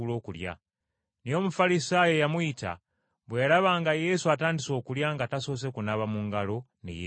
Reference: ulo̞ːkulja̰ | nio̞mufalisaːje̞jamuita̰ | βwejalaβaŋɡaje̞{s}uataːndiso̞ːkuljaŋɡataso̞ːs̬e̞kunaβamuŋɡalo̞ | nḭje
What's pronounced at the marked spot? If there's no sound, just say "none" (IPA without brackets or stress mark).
s